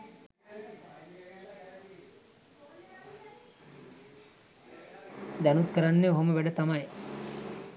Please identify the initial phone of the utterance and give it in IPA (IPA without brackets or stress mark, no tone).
d̪